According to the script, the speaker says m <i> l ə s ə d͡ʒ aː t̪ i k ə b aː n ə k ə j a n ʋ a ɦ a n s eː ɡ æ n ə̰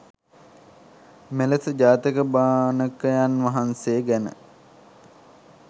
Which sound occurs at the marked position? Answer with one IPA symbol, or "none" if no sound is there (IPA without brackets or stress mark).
e